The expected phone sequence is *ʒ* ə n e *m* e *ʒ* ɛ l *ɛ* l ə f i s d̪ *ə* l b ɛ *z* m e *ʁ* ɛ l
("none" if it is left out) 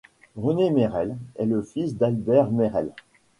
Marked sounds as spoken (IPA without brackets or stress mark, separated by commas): ʁ, m, ʁ, ɛ, a, ʁ, ʁ